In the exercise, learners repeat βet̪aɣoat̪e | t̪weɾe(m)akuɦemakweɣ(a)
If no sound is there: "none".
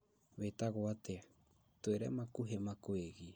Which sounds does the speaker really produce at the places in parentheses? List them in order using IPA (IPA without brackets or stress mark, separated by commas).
m, i